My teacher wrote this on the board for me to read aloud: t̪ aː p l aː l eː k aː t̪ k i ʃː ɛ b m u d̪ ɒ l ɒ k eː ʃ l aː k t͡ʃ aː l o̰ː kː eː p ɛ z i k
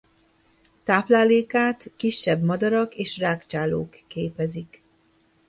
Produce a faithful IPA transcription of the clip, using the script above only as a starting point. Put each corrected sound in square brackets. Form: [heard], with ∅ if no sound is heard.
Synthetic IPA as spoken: t̪ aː p l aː l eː k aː t̪ k i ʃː ɛ b m [ɒ] d̪ ɒ [ɾ] ɒ k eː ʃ [r] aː k t͡ʃ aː l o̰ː kː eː p ɛ z i k